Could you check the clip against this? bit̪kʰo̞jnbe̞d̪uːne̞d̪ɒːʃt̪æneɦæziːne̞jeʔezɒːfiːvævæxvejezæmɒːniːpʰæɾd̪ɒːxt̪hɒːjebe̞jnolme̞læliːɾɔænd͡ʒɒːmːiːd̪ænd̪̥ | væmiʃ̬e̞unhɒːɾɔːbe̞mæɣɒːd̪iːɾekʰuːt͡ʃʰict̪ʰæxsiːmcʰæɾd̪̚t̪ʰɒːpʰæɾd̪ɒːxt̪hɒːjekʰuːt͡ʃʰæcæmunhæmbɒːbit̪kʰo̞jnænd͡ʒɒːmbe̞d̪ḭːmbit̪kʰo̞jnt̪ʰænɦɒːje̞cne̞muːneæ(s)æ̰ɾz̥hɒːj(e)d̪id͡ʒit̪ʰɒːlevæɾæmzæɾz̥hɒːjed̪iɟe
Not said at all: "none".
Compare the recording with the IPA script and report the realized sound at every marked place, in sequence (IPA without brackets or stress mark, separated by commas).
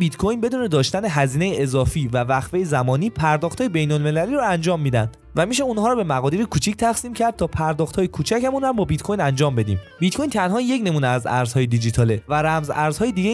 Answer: z, e